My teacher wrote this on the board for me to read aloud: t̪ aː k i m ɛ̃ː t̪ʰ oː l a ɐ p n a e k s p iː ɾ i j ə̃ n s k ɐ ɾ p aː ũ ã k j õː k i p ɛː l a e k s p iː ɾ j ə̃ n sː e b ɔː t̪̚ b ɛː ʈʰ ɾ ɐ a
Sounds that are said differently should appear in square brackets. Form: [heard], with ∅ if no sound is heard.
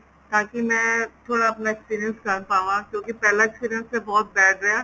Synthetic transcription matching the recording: t̪ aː k i m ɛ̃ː t̪ʰ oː [ɽ] a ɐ p n a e k s p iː ɾ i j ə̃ n s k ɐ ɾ p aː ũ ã k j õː k i p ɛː l a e k s p iː ɾ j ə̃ n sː e b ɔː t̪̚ b ɛː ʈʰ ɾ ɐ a